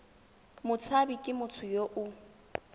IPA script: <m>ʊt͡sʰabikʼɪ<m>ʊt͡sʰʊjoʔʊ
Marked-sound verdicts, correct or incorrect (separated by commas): correct, correct